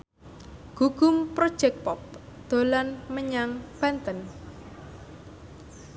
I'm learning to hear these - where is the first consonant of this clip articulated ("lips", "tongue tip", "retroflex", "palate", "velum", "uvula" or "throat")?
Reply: velum